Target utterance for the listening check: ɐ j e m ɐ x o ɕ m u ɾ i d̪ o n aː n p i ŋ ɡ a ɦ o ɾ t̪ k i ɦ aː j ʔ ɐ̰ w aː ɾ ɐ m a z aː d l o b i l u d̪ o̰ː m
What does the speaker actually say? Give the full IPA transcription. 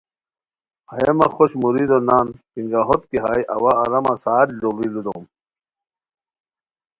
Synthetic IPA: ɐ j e m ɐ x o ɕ m u ɾ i d̪ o n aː n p i ŋ ɡ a ɦ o t̪ k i ɦ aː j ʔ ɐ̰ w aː ɾ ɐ m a s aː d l o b i l u d̪ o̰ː m